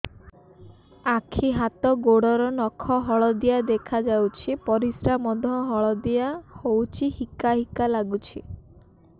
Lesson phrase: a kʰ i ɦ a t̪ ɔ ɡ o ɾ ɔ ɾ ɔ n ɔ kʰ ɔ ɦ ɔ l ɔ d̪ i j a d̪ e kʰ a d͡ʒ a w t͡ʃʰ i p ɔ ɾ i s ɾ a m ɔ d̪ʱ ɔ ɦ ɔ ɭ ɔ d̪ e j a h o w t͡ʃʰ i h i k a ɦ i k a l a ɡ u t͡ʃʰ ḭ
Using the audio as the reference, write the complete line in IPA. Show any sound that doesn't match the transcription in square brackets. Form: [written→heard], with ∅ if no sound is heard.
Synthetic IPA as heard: a kʰ i ɦ a t̪ ɔ ɡ o [ɾ→ɽ] ɔ ɾ ɔ n ɔ kʰ ɔ ɦ ɔ [l→ɭ] ɔ d̪ i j a d̪ e kʰ a d͡ʒ a w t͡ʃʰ i p ɔ ɾ i s ɾ a m ɔ d̪ʱ ɔ ɦ ɔ ɭ ɔ d̪ [e→i] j a h o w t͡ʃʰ i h i k a ɦ i k a l a ɡ u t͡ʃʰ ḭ